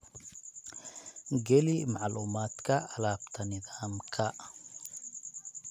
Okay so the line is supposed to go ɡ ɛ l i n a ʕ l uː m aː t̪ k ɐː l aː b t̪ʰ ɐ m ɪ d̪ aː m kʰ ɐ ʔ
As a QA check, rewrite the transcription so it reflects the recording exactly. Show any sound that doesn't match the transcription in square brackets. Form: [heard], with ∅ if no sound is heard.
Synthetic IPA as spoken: ɡ ɛ l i [m] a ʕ l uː m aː t̪ k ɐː l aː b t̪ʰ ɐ [n] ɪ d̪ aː m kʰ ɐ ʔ